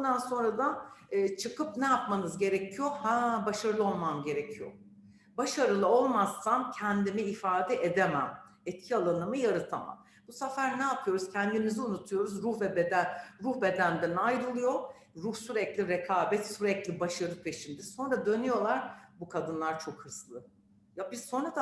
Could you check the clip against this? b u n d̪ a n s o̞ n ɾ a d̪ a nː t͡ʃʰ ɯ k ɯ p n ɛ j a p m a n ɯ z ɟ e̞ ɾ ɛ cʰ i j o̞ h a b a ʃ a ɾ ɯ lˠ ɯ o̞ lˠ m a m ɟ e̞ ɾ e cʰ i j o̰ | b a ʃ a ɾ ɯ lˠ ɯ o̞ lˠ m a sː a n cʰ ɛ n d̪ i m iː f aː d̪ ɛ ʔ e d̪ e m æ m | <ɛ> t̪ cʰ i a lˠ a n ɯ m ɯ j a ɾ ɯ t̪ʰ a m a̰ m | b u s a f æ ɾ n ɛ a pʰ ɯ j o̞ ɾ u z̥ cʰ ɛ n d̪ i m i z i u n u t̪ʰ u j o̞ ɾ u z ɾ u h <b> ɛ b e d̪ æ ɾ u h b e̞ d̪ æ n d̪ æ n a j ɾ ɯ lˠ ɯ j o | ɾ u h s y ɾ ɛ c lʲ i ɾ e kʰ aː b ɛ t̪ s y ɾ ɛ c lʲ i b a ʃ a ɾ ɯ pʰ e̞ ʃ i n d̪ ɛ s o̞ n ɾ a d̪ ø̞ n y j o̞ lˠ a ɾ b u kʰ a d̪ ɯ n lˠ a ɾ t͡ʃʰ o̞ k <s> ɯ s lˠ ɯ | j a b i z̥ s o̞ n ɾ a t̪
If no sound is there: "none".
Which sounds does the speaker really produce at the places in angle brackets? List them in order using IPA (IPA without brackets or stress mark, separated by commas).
ɛ, v, h